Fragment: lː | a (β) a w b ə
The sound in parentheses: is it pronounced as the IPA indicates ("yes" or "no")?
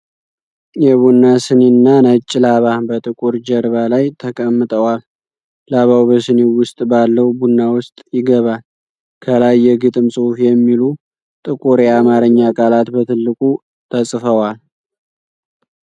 yes